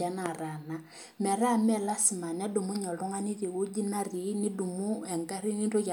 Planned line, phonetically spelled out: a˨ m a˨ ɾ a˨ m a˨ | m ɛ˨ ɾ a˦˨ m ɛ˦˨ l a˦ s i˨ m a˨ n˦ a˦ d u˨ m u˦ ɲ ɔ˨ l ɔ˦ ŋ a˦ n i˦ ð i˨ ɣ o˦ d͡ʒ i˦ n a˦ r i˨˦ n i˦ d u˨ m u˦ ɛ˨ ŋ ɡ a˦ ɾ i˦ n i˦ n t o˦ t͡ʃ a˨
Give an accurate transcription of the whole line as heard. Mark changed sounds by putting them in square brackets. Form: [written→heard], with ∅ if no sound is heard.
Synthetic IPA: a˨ [m→n] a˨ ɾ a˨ [m→n] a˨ | m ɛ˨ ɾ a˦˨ m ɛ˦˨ l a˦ s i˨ m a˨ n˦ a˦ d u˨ m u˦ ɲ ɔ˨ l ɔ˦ ŋ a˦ n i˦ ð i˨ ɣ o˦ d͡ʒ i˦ n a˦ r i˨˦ n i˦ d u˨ m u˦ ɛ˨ ŋ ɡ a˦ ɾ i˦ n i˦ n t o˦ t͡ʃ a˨